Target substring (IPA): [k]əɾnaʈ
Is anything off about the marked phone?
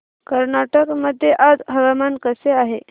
no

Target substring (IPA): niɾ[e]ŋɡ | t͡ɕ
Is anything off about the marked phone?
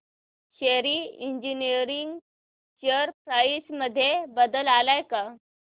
yes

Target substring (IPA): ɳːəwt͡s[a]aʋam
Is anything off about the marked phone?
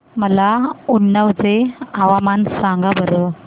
yes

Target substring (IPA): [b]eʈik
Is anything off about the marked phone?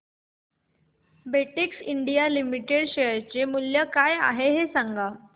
no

